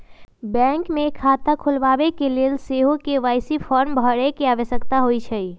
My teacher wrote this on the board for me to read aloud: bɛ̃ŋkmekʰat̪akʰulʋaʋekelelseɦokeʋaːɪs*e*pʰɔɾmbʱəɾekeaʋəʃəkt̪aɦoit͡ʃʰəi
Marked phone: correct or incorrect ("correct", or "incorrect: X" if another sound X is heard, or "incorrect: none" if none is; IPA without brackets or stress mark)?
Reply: incorrect: i